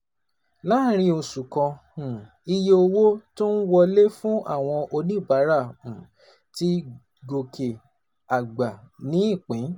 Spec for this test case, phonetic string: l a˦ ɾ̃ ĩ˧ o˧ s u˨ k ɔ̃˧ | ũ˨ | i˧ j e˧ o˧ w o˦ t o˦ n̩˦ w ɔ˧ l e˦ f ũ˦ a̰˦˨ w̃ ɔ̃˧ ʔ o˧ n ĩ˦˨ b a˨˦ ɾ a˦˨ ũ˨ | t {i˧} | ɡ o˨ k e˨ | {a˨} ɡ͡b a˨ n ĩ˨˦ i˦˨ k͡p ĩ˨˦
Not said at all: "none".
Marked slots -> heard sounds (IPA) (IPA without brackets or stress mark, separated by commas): i˧, a˨